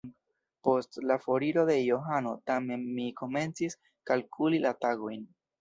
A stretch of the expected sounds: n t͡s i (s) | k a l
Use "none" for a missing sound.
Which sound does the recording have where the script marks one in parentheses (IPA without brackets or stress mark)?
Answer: s